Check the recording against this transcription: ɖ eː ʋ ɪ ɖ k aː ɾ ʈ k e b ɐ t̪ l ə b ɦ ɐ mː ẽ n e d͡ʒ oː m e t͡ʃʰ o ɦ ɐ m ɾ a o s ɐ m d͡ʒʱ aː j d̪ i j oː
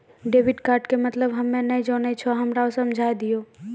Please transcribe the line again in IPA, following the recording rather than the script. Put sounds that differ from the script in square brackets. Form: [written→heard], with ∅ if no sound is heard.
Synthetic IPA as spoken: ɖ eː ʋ ɪ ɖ k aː ɾ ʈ k e [b→m] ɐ t̪ l ə b ɦ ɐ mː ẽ n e d͡ʒ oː [m→n] e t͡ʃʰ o ɦ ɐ m ɾ a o s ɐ m d͡ʒʱ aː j d̪ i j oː